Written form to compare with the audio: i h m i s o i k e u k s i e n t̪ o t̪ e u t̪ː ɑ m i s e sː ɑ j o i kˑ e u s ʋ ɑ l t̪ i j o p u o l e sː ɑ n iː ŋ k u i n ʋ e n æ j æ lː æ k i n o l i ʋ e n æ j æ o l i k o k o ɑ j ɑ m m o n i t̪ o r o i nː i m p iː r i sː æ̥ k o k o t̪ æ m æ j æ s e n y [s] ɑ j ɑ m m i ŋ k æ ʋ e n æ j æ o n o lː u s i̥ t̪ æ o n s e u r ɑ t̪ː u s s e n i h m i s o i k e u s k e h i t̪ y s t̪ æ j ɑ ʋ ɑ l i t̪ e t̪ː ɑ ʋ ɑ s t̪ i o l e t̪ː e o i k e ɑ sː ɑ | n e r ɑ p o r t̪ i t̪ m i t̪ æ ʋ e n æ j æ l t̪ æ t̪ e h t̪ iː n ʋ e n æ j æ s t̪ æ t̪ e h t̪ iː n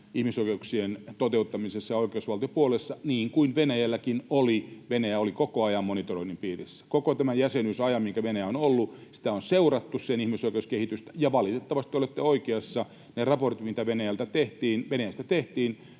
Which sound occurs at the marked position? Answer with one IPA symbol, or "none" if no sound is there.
s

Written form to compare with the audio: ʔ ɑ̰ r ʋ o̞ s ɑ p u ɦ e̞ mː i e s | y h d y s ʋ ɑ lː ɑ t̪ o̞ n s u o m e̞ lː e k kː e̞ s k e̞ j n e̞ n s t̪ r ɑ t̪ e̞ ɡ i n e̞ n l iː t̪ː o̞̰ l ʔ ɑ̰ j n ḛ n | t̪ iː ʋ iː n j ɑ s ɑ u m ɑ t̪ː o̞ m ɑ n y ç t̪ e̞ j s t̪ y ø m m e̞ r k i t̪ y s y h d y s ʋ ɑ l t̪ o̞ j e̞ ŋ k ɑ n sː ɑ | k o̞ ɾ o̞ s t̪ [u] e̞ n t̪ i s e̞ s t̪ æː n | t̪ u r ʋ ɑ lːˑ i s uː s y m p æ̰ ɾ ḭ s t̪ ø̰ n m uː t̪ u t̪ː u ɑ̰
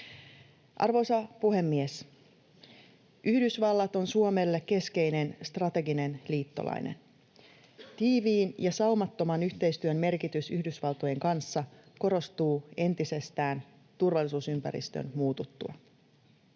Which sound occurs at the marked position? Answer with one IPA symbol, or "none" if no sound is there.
uː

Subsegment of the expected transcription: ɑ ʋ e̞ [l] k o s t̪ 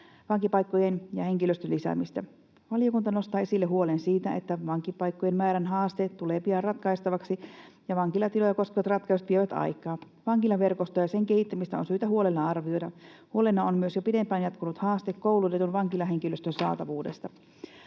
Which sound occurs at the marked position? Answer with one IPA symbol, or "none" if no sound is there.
r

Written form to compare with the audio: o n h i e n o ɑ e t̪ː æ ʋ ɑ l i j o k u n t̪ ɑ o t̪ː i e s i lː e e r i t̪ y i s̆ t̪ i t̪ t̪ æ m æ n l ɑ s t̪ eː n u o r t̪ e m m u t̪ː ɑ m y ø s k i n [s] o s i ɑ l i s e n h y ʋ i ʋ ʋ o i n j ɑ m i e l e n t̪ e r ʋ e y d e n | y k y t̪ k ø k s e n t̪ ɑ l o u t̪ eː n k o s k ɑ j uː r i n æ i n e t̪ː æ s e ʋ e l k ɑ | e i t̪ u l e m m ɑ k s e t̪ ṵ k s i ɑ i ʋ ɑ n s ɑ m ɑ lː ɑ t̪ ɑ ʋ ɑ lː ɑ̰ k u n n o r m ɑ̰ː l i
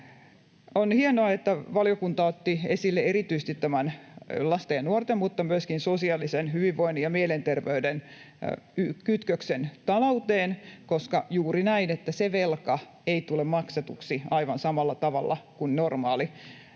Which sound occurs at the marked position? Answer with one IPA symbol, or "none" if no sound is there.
s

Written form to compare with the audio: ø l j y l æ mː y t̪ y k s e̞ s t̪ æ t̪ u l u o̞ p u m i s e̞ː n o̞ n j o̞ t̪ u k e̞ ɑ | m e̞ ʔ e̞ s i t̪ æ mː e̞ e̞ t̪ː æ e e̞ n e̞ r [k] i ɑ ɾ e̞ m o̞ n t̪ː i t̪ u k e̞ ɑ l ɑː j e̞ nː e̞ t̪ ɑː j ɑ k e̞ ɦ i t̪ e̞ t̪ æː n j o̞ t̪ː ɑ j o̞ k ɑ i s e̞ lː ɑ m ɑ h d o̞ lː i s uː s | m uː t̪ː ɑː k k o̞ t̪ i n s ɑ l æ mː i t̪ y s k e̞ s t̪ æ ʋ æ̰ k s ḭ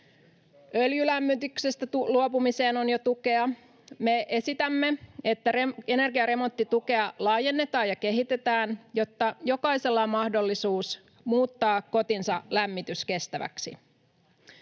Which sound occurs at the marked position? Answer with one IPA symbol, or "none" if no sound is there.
ɡ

